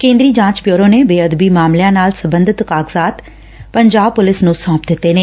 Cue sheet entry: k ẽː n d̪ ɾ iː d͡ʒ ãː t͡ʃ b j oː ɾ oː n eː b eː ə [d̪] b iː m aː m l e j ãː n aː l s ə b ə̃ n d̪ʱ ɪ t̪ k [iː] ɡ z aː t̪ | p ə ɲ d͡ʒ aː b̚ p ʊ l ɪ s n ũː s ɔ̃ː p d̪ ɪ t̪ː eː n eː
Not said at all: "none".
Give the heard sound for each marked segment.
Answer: d̪, aː

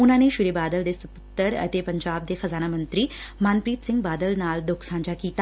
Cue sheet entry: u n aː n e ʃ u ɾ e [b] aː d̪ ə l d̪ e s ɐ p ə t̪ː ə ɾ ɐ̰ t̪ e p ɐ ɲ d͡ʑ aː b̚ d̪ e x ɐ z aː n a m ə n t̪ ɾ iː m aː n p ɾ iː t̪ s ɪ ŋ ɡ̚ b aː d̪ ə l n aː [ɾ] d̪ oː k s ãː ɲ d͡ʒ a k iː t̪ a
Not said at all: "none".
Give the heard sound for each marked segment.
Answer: b, l

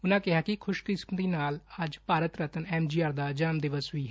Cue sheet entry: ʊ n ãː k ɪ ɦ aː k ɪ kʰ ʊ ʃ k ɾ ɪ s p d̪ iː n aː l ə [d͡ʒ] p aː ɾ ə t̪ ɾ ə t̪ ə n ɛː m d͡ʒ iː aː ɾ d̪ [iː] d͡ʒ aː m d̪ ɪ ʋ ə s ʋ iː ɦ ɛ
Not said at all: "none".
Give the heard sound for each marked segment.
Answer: d͡ʒ, aː

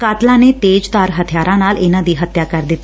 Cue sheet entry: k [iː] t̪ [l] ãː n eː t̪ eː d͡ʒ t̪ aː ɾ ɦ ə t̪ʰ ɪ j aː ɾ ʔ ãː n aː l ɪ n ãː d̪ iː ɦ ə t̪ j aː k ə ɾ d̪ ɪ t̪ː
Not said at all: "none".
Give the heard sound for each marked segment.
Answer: aː, l

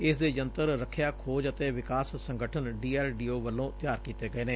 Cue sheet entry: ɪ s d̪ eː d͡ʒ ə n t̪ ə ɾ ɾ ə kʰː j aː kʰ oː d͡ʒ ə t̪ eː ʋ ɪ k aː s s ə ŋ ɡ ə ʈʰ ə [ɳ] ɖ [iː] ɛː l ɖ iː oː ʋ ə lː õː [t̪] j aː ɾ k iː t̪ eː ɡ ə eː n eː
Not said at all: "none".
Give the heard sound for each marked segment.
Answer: n, iː, t̪

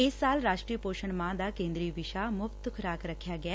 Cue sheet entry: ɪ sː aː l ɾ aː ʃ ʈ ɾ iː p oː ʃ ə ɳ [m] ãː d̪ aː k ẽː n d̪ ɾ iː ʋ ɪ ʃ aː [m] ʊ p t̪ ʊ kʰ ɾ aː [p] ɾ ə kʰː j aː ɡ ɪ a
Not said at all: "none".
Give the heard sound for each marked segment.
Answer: m, m, k

